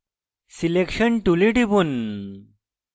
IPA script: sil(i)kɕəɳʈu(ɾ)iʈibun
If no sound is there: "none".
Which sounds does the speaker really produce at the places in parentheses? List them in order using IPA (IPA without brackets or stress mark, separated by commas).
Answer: e, l